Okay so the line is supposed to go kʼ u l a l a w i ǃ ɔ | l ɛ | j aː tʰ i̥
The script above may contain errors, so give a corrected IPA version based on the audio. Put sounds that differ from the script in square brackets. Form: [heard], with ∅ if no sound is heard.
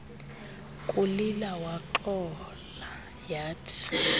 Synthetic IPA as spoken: kʼ u l [i] l a w [a] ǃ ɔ | l [a] | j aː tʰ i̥